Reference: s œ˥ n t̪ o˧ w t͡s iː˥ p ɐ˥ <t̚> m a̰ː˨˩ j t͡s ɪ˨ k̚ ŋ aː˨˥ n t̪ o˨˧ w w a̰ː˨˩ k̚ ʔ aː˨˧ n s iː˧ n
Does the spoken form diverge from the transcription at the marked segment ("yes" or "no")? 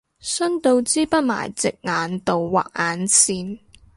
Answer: no